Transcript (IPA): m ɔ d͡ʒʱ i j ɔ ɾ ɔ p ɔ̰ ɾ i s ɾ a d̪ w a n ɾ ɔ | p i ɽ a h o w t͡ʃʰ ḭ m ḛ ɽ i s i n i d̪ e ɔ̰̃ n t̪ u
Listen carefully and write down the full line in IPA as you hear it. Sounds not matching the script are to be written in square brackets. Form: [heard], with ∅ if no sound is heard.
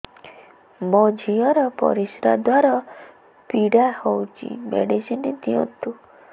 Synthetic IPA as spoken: m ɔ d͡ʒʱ i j ɔ ɾ ɔ p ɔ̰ ɾ i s ɾ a d̪ w a [∅] ɾ ɔ | p i ɽ a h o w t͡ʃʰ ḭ m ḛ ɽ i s i n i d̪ [i] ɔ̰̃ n t̪ u